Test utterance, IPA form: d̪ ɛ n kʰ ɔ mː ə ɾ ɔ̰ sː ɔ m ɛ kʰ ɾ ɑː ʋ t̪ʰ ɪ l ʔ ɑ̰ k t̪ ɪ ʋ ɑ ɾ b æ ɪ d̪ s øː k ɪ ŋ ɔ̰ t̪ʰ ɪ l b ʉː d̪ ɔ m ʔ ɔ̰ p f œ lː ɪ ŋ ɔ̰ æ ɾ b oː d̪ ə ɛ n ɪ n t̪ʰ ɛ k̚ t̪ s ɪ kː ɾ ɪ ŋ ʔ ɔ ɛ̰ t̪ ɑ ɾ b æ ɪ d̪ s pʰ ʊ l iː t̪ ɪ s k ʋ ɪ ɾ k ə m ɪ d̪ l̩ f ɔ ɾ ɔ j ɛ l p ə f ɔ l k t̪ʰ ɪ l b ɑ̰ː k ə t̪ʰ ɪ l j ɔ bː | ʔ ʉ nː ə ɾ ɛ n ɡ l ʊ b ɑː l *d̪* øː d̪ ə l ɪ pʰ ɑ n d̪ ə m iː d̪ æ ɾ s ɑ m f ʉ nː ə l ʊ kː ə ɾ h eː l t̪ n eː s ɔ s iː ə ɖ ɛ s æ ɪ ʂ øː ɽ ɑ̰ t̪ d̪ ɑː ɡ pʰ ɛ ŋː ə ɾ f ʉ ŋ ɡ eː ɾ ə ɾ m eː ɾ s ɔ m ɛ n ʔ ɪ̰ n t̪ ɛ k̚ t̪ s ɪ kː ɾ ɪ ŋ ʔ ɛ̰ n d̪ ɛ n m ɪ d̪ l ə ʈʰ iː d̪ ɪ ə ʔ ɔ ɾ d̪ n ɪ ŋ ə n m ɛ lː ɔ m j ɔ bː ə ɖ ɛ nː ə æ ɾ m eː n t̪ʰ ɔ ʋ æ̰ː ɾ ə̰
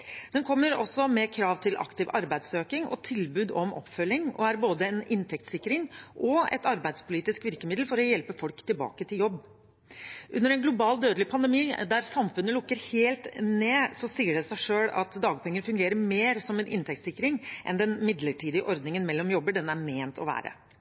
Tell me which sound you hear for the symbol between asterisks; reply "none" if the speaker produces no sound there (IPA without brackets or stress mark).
d̪